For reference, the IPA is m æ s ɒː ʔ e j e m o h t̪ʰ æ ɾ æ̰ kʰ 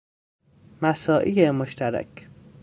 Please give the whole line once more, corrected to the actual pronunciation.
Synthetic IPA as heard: m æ s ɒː ʔ i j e m o ʃ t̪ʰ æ ɾ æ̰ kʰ